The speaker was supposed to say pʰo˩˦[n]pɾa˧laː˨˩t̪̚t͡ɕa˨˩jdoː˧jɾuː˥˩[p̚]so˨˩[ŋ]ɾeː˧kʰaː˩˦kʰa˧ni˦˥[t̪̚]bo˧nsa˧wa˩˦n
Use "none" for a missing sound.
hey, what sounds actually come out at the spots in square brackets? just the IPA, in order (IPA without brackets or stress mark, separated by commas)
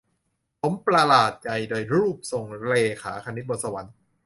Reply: m, p̚, ŋ, t̪̚